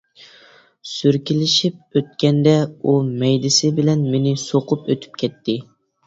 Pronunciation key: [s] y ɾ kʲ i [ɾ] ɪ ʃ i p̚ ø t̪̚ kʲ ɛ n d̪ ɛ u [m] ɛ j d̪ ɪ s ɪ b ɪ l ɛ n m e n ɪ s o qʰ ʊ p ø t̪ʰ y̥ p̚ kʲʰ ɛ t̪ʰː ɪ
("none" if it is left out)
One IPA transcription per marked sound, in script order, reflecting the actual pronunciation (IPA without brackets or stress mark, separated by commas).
s, l, m